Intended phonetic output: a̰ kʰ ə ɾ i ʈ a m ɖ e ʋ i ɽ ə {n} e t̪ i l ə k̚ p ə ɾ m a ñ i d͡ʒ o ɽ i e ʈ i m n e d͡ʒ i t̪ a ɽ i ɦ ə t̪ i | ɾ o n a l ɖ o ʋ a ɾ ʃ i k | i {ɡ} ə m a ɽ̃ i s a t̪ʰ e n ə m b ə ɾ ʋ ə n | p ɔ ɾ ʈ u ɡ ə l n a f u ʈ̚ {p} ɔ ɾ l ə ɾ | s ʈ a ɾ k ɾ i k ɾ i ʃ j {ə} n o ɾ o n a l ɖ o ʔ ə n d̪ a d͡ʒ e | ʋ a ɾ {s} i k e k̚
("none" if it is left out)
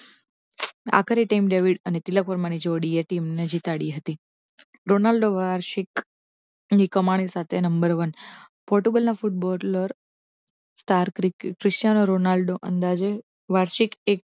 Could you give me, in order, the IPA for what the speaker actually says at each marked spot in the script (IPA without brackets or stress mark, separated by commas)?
n, k, b, a, ʃ